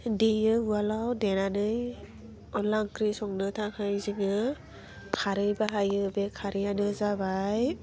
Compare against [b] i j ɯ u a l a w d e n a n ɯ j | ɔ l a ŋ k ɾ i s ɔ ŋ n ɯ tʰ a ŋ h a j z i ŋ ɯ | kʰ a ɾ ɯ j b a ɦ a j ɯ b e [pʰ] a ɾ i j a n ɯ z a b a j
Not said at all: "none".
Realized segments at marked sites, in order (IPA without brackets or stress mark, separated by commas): d, kʰ